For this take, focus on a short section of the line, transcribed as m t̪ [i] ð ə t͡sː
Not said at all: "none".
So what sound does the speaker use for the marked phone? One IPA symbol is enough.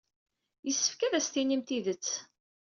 i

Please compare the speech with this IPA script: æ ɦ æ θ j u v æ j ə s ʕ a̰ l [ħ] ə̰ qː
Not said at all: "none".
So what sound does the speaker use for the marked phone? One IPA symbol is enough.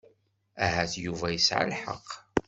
ħ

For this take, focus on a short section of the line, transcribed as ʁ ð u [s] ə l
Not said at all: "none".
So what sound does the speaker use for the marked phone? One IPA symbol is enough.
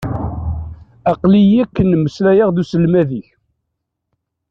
s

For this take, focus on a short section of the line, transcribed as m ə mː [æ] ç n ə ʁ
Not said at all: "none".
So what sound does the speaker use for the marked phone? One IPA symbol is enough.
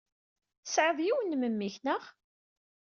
i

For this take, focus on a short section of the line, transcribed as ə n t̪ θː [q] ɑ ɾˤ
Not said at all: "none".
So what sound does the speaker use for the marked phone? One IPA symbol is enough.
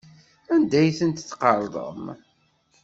q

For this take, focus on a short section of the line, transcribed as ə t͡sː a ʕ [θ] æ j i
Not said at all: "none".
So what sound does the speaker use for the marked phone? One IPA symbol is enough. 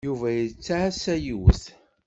s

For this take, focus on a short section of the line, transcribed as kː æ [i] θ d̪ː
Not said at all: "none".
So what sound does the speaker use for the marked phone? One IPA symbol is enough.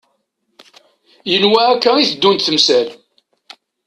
i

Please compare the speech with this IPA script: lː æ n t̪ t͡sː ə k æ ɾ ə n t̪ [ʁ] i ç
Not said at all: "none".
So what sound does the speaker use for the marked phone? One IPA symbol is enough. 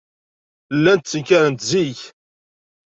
z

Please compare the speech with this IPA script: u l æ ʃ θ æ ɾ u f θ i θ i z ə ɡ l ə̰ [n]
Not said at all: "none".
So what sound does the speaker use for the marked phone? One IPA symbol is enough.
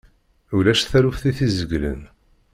n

